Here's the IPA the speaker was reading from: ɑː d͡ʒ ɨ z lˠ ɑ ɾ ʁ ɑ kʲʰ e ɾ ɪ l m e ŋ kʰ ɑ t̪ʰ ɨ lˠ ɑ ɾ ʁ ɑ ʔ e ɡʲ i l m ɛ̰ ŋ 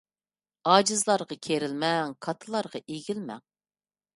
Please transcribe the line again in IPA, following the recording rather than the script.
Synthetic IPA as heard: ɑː d͡ʒ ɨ z lˠ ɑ ɾ ʁ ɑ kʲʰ e ɾ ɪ l m ɛ ŋ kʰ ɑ t̪ʰ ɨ lˠ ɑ ɾ ʁ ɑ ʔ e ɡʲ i l m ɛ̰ ŋ